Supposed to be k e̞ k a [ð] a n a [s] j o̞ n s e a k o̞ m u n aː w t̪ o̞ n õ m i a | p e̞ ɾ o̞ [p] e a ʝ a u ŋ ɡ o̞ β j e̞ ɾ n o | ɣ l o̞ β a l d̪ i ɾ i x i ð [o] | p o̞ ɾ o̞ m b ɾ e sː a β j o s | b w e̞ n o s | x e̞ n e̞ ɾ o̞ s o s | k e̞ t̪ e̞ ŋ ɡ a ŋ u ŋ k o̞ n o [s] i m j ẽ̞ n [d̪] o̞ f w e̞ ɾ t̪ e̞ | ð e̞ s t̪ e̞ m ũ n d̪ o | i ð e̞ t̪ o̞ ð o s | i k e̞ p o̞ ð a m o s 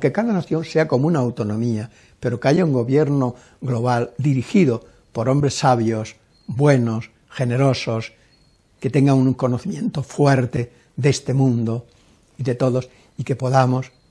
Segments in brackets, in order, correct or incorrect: correct, incorrect, incorrect, correct, incorrect, incorrect

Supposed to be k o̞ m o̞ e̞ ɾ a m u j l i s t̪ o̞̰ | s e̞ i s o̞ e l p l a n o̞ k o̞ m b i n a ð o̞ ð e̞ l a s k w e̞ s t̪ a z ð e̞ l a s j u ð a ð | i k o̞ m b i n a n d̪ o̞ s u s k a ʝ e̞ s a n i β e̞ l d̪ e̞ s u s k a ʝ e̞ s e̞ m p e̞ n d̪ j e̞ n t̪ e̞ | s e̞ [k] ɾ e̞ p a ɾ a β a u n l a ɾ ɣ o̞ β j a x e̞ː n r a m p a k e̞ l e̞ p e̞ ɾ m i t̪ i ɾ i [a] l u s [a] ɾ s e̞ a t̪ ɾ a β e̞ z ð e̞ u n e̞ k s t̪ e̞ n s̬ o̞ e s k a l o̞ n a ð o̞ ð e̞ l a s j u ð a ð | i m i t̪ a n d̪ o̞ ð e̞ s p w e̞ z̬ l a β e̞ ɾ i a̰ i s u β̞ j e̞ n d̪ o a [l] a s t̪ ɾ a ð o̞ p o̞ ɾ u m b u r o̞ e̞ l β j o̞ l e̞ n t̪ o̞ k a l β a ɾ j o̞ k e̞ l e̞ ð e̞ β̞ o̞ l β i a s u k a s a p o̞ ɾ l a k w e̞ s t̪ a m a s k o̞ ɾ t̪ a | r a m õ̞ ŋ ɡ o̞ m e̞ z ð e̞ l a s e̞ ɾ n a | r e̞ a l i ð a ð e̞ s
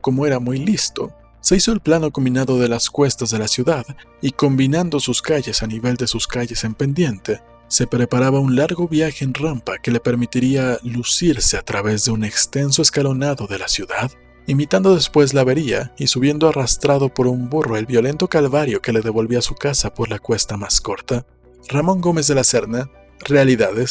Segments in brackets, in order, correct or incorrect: incorrect, correct, incorrect, incorrect

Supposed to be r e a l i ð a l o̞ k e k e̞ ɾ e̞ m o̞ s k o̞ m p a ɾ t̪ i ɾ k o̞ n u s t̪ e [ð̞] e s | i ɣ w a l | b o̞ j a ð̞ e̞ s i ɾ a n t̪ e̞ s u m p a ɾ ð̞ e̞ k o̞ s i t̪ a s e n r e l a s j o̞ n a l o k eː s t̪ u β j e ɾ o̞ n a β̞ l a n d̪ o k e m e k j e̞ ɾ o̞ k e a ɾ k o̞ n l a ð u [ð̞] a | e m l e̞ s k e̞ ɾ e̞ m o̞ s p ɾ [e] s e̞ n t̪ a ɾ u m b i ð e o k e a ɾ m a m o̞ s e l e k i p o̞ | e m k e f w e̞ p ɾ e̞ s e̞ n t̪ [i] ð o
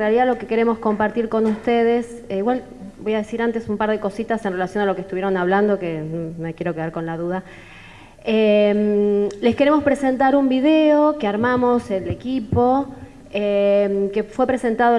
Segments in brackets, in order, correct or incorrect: correct, correct, correct, incorrect

